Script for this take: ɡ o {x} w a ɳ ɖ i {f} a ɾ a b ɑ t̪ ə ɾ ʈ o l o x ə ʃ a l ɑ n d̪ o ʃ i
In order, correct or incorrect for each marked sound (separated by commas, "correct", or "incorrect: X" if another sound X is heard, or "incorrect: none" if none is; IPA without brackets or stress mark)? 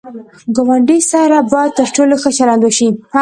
incorrect: none, incorrect: s